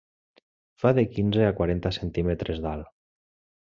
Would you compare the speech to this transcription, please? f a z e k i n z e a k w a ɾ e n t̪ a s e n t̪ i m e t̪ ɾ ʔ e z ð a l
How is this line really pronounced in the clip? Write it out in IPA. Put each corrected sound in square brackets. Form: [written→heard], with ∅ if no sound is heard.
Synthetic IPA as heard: f a [z→ð] e k i n z e a k w a ɾ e n t̪ a s e n t̪ i m e t̪ ɾ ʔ e z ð a l